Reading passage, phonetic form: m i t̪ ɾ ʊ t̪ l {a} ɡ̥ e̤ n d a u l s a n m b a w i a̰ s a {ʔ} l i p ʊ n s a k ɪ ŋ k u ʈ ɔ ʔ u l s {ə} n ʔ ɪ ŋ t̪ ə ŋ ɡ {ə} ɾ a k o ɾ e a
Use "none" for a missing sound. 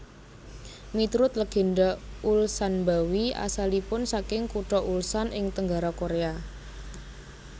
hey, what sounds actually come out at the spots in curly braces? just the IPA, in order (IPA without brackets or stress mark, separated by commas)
ə, none, a, a